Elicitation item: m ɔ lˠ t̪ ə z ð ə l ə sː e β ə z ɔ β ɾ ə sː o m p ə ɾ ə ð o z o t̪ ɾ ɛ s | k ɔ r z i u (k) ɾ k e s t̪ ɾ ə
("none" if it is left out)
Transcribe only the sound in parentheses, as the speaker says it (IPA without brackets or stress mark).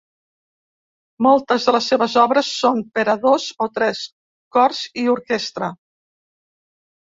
none